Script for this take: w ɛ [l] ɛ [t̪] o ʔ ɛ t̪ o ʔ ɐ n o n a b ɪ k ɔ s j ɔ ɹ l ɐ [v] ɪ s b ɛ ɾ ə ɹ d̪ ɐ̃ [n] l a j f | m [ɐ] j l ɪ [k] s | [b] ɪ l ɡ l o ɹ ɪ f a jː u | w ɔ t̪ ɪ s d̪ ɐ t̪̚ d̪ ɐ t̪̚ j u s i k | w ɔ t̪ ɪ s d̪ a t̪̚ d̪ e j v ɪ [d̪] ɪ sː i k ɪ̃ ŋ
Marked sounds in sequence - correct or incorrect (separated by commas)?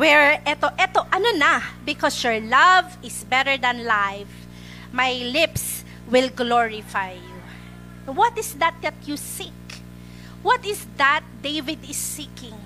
incorrect, correct, correct, correct, incorrect, incorrect, incorrect, correct